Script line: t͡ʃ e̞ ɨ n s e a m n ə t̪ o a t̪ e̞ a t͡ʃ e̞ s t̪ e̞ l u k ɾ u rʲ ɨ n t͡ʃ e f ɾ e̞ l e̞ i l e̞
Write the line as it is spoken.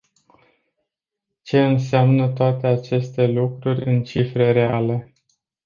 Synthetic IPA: t͡ʃ e̞ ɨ n s e a m n ə t̪ o a t̪ e̞ a t͡ʃ e̞ s t̪ e̞ l u k ɾ u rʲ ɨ n t͡ʃ i f ɾ e̞ ɾ e̞ a l e̞